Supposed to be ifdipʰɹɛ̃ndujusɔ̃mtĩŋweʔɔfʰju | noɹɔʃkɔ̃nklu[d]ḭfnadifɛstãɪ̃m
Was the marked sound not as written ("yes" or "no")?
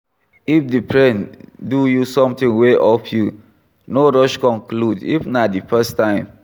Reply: no